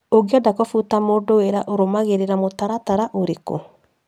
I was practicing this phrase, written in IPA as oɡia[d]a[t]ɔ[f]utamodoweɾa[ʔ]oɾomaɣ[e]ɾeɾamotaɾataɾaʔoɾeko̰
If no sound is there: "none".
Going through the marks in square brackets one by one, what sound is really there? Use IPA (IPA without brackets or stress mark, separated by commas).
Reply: d, k, f, ʔ, e